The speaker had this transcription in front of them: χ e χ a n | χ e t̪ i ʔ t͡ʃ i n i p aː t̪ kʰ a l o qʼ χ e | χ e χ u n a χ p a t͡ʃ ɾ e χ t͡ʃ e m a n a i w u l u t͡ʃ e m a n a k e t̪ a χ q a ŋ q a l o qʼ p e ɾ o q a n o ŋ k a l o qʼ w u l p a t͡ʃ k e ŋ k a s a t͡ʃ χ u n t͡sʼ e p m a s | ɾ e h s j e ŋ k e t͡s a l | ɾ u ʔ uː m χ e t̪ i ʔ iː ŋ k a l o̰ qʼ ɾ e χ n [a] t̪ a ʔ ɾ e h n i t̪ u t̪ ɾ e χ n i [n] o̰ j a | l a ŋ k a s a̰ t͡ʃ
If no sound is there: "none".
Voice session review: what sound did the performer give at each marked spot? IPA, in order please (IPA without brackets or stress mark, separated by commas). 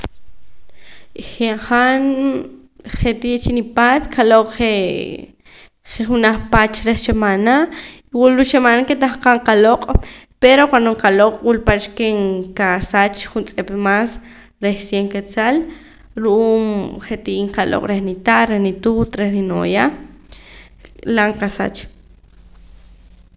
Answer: i, n